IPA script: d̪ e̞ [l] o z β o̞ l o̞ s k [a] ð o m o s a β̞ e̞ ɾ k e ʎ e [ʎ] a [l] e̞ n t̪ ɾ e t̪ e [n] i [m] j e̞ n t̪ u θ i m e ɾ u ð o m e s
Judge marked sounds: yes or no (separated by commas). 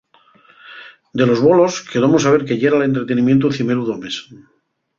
yes, no, no, yes, yes, yes